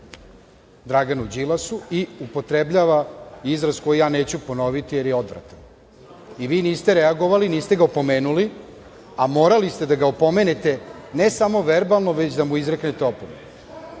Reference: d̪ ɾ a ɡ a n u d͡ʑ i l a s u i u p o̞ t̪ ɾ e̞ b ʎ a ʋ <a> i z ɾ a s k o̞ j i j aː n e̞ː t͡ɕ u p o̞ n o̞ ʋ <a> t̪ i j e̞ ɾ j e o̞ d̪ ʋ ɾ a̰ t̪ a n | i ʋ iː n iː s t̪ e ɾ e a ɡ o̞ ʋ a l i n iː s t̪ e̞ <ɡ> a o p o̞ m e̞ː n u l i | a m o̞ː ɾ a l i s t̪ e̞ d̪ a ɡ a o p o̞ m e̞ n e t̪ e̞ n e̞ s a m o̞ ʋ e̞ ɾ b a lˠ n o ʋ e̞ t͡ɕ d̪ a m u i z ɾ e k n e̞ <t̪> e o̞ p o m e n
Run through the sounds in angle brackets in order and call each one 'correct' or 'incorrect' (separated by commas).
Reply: correct, incorrect, correct, correct